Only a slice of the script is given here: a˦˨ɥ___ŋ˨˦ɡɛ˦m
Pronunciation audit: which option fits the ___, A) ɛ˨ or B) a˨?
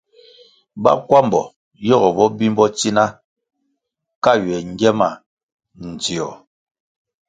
A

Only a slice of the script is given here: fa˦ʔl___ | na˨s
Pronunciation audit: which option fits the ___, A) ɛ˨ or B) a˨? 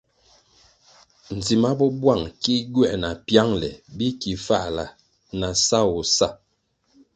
B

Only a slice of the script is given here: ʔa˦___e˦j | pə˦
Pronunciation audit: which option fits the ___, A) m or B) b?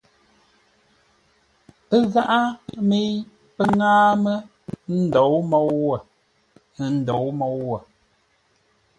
A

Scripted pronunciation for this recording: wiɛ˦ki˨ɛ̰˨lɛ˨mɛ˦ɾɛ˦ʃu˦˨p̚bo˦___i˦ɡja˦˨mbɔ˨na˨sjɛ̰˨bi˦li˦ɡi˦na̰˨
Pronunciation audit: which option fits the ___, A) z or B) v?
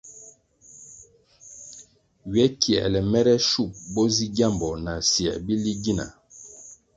A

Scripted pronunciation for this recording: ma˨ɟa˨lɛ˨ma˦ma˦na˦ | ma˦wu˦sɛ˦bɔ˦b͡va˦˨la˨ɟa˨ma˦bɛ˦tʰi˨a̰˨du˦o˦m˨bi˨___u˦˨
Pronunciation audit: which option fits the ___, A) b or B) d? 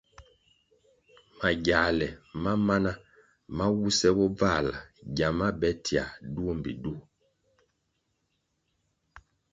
B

